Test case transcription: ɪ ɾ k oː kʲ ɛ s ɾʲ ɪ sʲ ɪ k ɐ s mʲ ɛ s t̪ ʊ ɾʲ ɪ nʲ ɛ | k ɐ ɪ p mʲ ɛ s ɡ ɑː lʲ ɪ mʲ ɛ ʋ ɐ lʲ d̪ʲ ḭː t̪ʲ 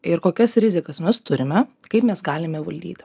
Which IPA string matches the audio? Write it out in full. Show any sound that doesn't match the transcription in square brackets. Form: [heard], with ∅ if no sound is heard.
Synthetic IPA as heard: ɪ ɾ k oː kʲ ɛ s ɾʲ ɪ [zʲ] ɪ k ɐ s mʲ ɛ s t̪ ʊ ɾʲ ɪ [mʲ] ɛ | k ɐ ɪ p mʲ ɛ s ɡ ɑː lʲ ɪ mʲ ɛ ʋ ɐ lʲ d̪ʲ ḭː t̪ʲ

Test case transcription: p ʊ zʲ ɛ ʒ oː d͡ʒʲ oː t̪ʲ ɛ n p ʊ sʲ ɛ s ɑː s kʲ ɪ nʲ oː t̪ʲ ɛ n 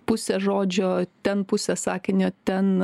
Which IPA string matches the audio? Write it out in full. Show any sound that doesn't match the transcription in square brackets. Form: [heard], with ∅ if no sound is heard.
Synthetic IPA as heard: p ʊ [sʲ] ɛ ʒ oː d͡ʒʲ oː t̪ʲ ɛ n p ʊ sʲ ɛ s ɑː [∅] kʲ ɪ nʲ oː t̪ʲ ɛ n

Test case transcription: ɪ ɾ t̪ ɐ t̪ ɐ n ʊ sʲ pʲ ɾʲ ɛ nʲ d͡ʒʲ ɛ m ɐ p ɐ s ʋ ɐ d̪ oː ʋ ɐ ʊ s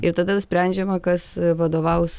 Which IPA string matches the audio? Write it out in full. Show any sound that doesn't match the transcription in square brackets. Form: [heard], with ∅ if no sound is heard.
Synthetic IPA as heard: ɪ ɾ t̪ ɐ [d̪] ɐ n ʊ sʲ pʲ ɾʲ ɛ nʲ d͡ʒʲ ɛ m ɐ [k] ɐ s ʋ ɐ d̪ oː ʋ ɐ ʊ s

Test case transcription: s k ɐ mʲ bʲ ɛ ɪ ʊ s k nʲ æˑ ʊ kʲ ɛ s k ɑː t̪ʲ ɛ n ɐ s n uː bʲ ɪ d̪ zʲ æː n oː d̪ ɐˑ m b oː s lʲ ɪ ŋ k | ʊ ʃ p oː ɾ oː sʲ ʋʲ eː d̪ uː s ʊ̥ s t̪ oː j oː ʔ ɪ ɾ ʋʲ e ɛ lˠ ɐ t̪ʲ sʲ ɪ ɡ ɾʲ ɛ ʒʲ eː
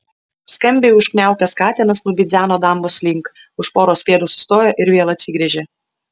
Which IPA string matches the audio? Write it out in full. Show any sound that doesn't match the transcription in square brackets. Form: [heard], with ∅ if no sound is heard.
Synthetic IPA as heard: s k ɐ mʲ bʲ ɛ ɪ ʊ [ʃ] k nʲ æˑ ʊ kʲ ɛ s k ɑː t̪ʲ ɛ n ɐ s n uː bʲ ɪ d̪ zʲ æː n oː d̪ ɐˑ m b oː s lʲ ɪ ŋ k | ʊ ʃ p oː ɾ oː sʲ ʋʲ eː d̪ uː s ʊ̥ s t̪ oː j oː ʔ ɪ ɾ ʋʲ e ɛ lˠ ɐ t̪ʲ sʲ ɪ ɡ ɾʲ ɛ ʒʲ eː

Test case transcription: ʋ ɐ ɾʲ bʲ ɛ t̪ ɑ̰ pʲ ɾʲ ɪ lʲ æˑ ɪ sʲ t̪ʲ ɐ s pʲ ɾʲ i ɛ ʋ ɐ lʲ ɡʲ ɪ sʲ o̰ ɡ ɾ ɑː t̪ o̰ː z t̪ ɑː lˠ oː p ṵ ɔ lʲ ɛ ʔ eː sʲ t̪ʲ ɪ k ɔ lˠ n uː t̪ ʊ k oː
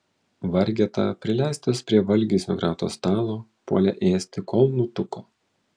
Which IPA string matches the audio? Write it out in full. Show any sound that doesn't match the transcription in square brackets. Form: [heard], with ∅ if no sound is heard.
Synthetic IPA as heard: ʋ ɐ ɾʲ [ɡʲ] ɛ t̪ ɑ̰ pʲ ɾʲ ɪ lʲ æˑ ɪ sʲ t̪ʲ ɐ s pʲ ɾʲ i ɛ ʋ ɐ lʲ ɡʲ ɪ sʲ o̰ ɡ ɾ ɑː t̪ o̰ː [s] t̪ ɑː lˠ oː p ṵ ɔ lʲ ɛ ʔ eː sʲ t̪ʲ ɪ k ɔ lˠ n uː t̪ ʊ k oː

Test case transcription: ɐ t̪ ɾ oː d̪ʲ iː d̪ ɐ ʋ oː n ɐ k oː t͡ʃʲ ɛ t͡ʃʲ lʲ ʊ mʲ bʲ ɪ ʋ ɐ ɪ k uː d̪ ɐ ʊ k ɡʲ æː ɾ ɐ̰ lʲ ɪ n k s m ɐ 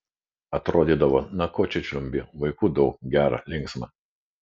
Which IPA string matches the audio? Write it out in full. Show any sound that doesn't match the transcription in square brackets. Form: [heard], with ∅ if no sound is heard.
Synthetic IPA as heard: ɐ t̪ ɾ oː d̪ʲ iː d̪ ɐ ʋ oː n ɐ k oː t͡ʃʲ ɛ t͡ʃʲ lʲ ʊ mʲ bʲ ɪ ʋ ɐ ɪ k uː d̪ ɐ ʊ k ɡʲ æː ɾ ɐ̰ lʲ ɪ [ŋ] k s m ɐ

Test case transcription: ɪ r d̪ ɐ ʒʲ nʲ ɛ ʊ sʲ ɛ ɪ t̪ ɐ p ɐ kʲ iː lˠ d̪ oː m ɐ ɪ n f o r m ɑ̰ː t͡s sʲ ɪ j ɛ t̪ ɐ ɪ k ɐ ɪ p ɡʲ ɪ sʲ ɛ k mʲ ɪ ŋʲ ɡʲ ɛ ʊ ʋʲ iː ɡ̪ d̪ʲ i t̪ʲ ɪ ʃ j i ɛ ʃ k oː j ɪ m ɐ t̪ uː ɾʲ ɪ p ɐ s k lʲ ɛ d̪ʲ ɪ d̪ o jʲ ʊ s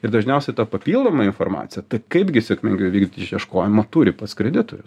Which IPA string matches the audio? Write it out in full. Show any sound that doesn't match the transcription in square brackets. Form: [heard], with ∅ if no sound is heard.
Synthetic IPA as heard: ɪ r d̪ ɐ ʒʲ nʲ ɛ ʊ sʲ ɛ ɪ t̪ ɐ p ɐ [pʲ] iː lˠ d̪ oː m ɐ ɪ n f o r m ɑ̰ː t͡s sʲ ɪ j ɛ t̪ ɐ ɪ k ɐ ɪ p ɡʲ ɪ sʲ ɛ k mʲ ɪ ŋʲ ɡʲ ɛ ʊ ʋʲ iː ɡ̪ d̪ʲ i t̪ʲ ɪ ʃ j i ɛ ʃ k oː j ɪ m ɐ t̪ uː ɾʲ ɪ p ɐ s k [ɾʲ] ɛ d̪ʲ ɪ [t̪] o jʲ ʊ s

